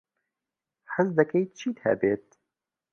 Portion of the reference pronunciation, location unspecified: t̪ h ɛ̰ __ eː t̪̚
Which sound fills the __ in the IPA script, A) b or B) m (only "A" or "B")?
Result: A